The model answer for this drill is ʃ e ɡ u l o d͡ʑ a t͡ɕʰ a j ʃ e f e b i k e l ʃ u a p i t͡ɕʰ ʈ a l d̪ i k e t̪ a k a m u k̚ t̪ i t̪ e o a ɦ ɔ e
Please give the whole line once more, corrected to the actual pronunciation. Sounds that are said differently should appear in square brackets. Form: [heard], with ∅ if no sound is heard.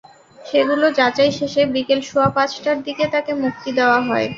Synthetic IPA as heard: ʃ e ɡ u l o d͡ʑ a [t͡ɕ] a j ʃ e [ʃ] e b i k e l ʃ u a p [a] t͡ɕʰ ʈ a [ɾ] d̪ i k e t̪ a k [e] m u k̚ t̪ i [d̪] e o a ɦ ɔ e